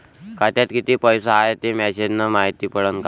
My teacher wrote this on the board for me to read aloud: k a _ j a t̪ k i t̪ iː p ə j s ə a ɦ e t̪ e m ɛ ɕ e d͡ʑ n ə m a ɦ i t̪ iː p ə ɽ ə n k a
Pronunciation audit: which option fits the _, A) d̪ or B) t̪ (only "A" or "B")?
B